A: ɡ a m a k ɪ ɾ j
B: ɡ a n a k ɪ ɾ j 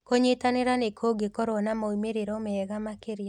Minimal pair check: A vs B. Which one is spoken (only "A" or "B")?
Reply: A